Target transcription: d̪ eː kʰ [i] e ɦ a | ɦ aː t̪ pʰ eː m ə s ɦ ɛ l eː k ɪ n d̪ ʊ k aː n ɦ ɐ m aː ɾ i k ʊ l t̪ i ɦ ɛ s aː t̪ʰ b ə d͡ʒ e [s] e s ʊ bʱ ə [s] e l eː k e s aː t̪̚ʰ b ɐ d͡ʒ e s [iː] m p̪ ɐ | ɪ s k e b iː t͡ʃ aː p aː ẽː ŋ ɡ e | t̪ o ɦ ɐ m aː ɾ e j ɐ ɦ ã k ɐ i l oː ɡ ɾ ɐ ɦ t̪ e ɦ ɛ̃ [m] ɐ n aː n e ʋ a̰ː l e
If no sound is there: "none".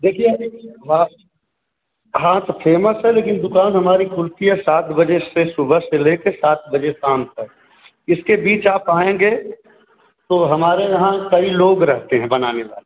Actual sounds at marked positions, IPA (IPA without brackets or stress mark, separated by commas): i, s, s, aː, b